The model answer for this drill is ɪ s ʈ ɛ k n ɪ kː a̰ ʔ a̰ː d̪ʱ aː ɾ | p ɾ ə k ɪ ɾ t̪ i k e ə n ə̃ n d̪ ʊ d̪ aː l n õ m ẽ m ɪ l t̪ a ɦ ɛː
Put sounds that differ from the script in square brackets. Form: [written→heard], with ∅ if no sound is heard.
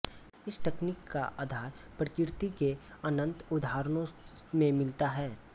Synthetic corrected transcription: ɪ s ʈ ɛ k n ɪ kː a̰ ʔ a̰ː d̪ʱ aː ɾ | p ɾ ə k ɪ ɾ t̪ i k e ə n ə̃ n [d̪→t̪] ʊ d̪ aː [l→ɾ] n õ m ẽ m ɪ l t̪ a ɦ ɛː